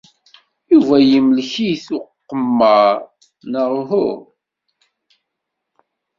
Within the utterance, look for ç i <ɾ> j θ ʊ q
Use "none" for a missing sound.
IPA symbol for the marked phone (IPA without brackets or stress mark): none